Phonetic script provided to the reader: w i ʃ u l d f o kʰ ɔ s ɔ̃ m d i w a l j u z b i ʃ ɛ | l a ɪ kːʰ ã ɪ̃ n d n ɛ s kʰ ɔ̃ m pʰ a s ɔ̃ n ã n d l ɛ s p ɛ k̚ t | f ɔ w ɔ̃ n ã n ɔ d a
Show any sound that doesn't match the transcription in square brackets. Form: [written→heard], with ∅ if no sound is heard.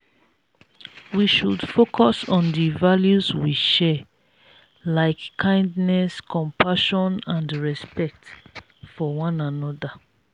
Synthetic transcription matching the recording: w i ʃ u [l→∅] d f o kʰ ɔ s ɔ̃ [m→n] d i [w→v] a l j u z [b→w] i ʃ ɛ | l a ɪ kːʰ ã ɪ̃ n d n ɛ s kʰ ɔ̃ m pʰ a [s→ʃ] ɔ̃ n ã n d [l→ɹ] ɛ s p ɛ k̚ t | f ɔ w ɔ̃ n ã n ɔ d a